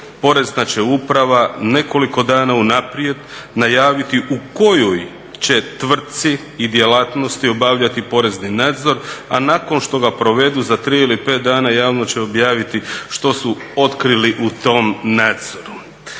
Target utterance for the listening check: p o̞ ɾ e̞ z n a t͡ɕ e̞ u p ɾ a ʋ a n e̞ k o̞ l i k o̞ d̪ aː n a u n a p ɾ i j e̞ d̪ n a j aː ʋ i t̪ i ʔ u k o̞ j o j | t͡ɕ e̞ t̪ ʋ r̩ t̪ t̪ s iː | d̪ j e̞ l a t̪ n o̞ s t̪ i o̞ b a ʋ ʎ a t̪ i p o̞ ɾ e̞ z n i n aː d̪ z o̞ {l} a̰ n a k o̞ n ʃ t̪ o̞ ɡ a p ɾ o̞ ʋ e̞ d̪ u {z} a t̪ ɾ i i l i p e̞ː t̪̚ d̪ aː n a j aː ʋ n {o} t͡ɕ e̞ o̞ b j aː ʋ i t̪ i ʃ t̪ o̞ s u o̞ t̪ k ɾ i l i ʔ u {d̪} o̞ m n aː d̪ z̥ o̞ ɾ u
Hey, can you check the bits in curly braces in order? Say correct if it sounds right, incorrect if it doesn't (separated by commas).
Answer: incorrect, correct, correct, incorrect